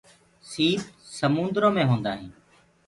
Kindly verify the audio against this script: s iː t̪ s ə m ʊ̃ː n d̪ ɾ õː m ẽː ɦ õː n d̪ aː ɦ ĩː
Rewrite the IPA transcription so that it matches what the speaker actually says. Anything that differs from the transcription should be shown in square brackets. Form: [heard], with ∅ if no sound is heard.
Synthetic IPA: s iː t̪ s ə m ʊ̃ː n d̪ ɾ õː m ẽː ɦ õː n d̪ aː ɦ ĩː